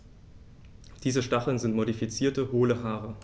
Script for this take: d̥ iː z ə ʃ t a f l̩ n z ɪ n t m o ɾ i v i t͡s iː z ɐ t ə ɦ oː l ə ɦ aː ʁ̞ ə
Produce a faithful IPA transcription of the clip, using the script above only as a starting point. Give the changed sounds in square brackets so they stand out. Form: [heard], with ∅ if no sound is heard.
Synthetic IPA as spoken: d̥ iː z ə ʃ t a [χ] l̩ n z ɪ n t m o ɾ i [f] i t͡s iː [∅] ɐ t ə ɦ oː l ə ɦ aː ʁ̞ ə